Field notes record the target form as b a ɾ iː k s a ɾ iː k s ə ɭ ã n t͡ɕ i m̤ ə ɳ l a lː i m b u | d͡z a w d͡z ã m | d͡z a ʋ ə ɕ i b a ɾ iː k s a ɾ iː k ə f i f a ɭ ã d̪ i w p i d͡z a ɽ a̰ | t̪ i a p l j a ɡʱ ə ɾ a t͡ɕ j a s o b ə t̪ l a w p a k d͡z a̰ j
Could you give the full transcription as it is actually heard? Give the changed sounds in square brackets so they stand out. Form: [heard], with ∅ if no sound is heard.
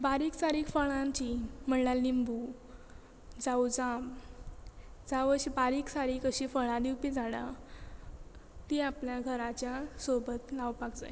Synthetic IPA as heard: b a ɾ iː k s a ɾ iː k [f] ə ɭ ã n t͡ɕ i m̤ ə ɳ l a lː i m b u | d͡z a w d͡z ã m | d͡z a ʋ ə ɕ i b a ɾ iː k s a ɾ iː k ə [ɕ] i f [ə] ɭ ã d̪ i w p i d͡z a ɽ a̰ | t̪ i a p l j a ɡʱ ə ɾ a t͡ɕ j a s o b ə t̪ l a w p a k d͡z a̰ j